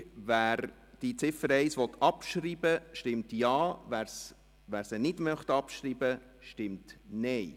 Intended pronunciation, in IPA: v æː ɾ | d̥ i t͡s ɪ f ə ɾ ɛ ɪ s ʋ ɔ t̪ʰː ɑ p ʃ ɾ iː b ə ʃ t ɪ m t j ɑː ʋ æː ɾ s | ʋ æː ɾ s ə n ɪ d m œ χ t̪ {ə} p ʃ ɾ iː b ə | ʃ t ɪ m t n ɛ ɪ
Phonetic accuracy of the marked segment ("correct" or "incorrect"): incorrect